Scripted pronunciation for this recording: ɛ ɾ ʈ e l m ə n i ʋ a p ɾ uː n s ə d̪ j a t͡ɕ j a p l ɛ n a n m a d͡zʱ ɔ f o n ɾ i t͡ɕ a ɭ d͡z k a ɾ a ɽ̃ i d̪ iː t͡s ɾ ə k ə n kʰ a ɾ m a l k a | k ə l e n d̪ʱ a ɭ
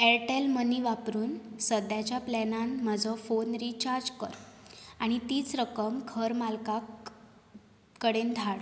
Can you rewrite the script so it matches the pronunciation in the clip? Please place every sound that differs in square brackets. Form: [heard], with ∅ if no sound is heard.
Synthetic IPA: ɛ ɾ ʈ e l m ə n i ʋ a p ɾ uː n s ə d̪ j a t͡ɕ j a p l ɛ n a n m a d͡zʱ ɔ f o n ɾ i t͡ɕ a [ɾ] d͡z k [ə] ɾ a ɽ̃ i [t̪] iː t͡s ɾ ə k ə [m] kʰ [ə] ɾ m a l k a | k ə [ɽ] e n d̪ʱ a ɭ